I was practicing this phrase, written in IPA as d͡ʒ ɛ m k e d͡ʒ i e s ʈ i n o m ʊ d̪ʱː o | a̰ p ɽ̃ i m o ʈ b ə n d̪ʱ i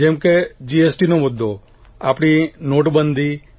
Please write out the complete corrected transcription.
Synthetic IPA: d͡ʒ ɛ m k e d͡ʒ i e s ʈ i n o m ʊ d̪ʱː o | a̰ p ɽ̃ i n o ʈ b ə n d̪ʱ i

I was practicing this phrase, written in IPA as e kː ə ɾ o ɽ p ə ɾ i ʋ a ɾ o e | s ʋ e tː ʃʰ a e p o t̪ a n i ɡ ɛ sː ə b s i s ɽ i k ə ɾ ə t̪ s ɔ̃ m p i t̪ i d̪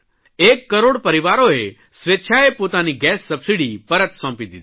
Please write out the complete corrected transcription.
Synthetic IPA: e kː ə ɾ o ɽ p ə ɾ i ʋ a ɾ o e | s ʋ e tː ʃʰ a e p o t̪ a n i ɡ ɛ sː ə b s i ɽ i p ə ɾ ə t̪ s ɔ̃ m p i d̪ i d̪

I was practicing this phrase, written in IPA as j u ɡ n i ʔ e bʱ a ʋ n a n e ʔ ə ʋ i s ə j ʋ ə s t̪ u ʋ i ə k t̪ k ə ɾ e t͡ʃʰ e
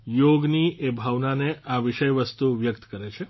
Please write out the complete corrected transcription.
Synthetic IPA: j o ɡ n i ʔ e bʱ a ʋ n a n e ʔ a ʋ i ʃ ə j ʋ ə s t̪ u ʋ j ə k t̪ k ə ɾ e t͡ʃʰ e

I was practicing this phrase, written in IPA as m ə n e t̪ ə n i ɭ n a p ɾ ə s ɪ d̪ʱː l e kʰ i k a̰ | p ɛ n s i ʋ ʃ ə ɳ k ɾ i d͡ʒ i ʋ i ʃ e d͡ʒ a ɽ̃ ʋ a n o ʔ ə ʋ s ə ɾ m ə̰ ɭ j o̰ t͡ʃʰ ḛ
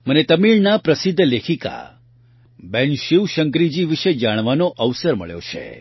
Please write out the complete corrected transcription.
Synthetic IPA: m ə n e t̪ ə m i ɭ n a p ɾ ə s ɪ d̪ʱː l e kʰ i k a̰ | b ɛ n ʃ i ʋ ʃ ə ŋ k ɾ i d͡ʒ i ʋ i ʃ e d͡ʒ a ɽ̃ ʋ a n o ʔ ə ʋ s ə ɾ m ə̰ ɭ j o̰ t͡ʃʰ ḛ

